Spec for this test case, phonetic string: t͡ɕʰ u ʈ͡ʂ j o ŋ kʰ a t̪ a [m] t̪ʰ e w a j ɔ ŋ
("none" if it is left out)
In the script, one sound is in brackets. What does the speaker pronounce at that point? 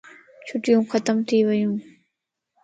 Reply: m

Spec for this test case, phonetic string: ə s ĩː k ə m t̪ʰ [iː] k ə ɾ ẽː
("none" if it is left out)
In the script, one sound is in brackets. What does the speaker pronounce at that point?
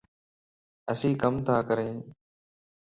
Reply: aː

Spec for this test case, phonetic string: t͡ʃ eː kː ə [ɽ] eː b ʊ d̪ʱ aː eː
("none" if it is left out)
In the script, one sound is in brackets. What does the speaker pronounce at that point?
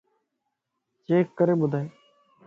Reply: ɾ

